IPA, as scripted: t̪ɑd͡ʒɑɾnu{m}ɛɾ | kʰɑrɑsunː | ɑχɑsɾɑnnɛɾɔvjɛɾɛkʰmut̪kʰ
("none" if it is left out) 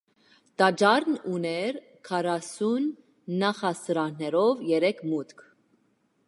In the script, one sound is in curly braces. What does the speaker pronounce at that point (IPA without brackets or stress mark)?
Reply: n